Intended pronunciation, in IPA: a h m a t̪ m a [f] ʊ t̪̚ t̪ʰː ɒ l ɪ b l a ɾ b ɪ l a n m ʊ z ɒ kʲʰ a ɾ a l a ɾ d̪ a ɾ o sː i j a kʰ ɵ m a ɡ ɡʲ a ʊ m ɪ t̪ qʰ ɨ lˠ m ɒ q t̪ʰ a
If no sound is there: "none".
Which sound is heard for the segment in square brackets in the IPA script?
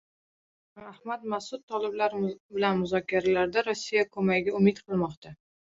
s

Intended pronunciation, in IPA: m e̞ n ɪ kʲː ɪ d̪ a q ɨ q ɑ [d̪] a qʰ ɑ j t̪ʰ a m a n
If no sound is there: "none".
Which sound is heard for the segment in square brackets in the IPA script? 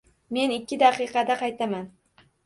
d̪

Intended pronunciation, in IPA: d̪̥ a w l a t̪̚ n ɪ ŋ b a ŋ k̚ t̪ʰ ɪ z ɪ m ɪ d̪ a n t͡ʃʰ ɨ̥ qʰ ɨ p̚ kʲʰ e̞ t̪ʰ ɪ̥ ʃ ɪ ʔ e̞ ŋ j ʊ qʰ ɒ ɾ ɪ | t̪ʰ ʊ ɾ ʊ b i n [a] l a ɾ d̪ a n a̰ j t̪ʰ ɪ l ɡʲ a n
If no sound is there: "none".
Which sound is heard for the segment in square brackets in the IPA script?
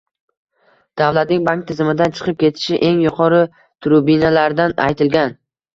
a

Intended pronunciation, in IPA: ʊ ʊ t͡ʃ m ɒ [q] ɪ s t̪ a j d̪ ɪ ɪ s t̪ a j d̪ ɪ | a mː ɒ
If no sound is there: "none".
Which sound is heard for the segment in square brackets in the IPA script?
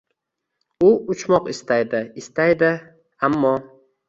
q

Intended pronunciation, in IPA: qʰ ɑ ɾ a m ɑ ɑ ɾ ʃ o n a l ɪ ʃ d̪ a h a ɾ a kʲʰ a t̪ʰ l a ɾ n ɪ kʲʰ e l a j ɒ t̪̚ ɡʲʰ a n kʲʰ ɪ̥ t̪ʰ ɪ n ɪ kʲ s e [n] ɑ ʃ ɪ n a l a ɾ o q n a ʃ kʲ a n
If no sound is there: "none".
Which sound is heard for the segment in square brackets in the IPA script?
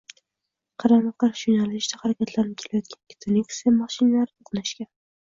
m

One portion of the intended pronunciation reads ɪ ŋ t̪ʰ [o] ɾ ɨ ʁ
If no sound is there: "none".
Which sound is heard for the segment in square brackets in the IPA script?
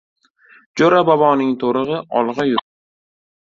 o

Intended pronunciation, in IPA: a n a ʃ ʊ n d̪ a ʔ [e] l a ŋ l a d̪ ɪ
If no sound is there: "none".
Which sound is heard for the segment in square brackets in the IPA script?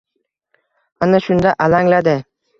a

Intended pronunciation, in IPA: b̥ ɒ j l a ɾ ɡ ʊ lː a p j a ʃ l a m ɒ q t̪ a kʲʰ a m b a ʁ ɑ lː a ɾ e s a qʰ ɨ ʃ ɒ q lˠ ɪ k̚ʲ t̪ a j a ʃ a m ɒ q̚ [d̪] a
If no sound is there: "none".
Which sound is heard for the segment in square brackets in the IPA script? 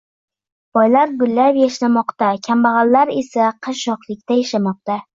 t̪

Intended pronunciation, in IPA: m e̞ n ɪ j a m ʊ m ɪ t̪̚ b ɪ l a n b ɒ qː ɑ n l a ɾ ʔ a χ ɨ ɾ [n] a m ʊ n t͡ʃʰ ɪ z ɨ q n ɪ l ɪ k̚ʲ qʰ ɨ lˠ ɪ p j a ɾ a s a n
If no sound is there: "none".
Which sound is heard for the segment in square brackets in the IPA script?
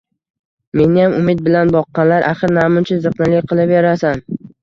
n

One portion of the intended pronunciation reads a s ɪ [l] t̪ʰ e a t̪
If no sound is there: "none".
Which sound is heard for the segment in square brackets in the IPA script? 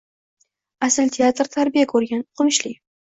l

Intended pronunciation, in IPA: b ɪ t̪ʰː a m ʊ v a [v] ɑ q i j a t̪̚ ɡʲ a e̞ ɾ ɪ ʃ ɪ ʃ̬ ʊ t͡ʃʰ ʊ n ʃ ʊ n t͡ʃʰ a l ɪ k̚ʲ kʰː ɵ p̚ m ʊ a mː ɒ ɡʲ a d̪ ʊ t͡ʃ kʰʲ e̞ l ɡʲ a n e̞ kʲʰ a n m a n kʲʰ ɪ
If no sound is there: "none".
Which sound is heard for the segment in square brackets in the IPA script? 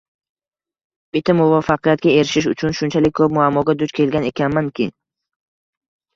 f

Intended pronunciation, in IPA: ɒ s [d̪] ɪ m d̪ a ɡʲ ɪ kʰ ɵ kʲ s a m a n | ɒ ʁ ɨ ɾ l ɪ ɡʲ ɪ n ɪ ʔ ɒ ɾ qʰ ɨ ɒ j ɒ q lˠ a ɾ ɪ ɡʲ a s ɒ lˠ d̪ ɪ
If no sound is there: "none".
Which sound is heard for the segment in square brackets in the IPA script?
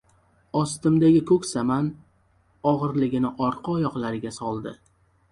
t̪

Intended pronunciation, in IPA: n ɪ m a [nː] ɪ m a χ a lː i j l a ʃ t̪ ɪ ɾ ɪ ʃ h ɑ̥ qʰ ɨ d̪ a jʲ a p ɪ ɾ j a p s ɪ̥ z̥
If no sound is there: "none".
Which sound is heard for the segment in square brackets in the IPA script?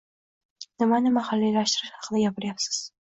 n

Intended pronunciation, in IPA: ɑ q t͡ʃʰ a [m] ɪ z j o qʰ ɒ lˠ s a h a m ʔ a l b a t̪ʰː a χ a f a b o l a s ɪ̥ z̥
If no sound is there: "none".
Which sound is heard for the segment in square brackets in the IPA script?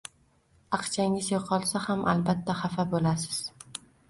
ŋ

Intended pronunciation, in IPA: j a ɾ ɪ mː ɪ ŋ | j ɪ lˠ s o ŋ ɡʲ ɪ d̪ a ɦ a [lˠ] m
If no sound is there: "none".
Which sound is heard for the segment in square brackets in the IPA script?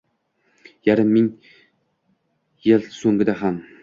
none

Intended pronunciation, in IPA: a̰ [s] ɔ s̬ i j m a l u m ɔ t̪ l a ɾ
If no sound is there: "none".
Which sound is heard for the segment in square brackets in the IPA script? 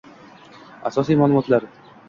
s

